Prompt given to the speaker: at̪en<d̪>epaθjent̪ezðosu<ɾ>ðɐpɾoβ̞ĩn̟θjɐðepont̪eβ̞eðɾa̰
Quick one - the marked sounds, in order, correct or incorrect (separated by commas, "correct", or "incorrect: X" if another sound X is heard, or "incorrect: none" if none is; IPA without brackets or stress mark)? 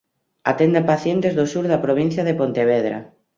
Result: correct, correct